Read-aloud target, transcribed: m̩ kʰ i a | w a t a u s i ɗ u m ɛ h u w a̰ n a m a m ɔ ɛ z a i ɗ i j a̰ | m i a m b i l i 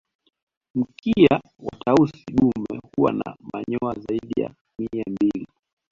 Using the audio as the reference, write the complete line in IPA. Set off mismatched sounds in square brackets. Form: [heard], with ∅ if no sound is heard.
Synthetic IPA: m̩ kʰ i a | w a t a u s i ɗ u m ɛ h u w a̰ n a m a [ɲ] ɔ [a] z a i ɗ i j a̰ | m i a m b i l i